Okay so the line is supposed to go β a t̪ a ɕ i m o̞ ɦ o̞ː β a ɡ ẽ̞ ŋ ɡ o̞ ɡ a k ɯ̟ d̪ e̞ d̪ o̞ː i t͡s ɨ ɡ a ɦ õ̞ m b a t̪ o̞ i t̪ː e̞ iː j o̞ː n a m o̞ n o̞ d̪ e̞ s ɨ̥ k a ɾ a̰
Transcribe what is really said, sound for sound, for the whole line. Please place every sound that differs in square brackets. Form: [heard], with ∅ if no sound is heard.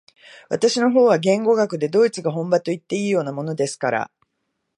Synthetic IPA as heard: β a t̪ a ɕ i [n] o̞ ɦ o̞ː β a ɡ ẽ̞ ŋ ɡ o̞ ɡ a k ɯ̟ d̪ e̞ d̪ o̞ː i t͡s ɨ ɡ a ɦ õ̞ m b a t̪ o̞ i t̪ː e̞ iː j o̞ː n a m o̞ n o̞ d̪ e̞ s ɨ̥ k a ɾ a̰

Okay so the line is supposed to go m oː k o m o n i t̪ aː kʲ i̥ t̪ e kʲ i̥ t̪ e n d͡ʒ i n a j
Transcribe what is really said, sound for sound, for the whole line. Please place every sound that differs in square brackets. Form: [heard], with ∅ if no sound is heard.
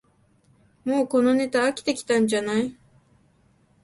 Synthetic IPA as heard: m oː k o [n] o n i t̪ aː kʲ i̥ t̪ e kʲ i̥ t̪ [a] n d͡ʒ [a] n a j

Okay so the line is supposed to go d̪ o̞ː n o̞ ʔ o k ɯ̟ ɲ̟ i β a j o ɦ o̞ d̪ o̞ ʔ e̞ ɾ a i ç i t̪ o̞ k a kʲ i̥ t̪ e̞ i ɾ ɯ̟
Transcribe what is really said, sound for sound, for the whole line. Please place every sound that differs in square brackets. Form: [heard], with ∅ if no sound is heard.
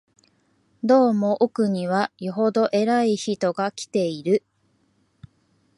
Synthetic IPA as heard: d̪ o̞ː [m] o̞ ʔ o k ɯ̟ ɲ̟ i β a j o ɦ o̞ d̪ o̞ ʔ e̞ ɾ a i ç i t̪ o̞ [ɡ] a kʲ i̥ t̪ e̞ i ɾ ɯ̟

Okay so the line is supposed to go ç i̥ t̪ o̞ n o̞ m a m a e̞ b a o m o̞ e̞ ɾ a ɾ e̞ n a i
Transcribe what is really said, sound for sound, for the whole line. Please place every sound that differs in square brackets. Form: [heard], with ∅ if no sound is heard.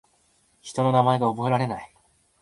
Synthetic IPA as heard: ç i̥ t̪ o̞ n o̞ [n] a m a e̞ [ɡ] a o [b] o̞ e̞ ɾ a ɾ e̞ n a i

